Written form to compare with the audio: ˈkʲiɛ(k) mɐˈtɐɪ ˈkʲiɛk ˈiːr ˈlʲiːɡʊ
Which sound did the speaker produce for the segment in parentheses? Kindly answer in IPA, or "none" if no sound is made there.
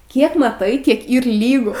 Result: k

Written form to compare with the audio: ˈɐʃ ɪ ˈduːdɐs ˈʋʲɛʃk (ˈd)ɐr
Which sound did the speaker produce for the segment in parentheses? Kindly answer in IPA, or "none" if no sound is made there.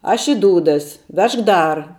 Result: d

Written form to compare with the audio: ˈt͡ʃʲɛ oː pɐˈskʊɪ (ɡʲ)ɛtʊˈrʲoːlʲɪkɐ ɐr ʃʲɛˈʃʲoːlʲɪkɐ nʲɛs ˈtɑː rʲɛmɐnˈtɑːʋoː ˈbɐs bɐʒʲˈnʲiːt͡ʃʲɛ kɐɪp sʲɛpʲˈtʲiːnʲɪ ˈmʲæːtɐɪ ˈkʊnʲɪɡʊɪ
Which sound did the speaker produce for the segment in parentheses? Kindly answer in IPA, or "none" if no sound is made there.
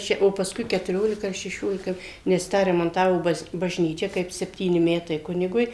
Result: kʲ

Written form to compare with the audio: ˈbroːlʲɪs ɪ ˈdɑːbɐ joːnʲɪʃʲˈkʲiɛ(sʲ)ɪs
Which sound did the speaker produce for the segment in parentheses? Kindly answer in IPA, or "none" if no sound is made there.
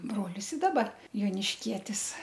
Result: tʲ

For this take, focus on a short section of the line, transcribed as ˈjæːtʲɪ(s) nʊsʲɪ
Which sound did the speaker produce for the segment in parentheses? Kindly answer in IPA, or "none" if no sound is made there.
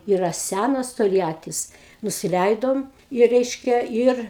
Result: s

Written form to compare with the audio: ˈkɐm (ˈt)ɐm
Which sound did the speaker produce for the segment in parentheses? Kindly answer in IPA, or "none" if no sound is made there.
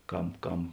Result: k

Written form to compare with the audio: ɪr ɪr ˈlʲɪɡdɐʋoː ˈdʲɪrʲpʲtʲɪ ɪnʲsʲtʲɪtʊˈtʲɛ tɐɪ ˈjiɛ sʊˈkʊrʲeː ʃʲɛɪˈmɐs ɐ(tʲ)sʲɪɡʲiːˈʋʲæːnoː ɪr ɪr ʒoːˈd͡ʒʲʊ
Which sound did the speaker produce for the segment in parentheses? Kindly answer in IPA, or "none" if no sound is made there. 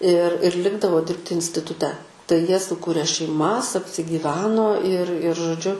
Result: pʲ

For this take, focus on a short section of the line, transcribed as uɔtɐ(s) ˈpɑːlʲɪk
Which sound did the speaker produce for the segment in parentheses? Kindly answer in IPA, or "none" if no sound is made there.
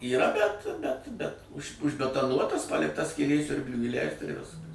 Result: s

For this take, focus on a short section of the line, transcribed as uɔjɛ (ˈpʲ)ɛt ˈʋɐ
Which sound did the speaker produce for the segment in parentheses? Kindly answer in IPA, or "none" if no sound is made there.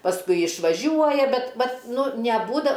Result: bʲ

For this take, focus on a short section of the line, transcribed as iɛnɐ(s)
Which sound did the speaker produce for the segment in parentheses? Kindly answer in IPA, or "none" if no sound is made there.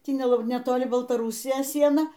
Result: none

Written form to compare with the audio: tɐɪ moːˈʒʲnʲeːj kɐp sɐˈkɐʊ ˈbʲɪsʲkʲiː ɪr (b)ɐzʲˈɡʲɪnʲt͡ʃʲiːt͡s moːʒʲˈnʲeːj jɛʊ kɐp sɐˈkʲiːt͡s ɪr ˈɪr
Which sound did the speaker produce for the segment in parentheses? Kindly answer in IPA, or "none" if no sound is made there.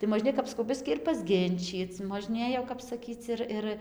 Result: p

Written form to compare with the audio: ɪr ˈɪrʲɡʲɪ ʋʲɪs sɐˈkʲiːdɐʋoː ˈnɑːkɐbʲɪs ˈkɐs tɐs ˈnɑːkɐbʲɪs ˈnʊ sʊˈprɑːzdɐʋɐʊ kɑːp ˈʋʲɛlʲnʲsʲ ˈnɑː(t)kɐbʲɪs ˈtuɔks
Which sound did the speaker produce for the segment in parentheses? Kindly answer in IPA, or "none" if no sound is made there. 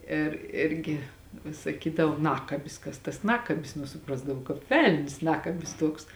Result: none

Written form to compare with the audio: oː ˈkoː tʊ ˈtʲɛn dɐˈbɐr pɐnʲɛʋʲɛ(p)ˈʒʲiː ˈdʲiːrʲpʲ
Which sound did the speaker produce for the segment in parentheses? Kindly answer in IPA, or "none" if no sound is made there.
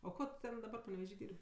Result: none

